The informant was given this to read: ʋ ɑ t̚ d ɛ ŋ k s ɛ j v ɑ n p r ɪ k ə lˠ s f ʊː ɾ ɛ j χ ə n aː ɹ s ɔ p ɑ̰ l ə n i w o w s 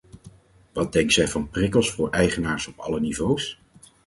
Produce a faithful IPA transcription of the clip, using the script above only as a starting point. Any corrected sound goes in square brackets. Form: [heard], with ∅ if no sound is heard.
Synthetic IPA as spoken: ʋ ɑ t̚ d ɛ ŋ k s ɛ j v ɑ n p r ɪ k ə lˠ s f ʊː [ɹ] ɛ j χ ə n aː ɹ s ɔ p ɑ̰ l ə n i [v] o w s